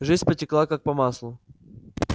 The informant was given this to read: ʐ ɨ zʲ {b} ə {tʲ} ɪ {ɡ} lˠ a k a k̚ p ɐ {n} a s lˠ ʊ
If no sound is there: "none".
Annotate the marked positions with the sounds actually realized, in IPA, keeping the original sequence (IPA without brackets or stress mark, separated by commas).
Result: p, tʲ, k, m